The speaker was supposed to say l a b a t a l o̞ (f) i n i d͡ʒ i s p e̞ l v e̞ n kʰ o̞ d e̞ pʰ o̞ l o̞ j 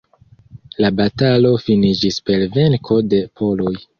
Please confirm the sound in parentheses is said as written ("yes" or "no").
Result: yes